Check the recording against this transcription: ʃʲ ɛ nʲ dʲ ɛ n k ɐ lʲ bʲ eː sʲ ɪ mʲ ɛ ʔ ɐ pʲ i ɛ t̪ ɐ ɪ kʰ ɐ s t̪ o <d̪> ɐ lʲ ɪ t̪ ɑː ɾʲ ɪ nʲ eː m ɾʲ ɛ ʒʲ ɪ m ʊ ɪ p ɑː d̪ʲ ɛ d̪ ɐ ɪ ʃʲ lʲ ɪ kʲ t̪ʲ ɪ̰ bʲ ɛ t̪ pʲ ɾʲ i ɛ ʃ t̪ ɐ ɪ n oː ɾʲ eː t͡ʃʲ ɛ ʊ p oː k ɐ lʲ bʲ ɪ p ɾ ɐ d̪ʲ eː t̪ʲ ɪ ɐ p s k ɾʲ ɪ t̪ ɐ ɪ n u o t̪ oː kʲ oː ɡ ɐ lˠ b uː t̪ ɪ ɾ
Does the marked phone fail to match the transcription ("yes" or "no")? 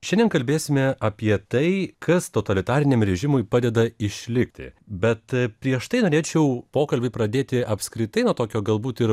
yes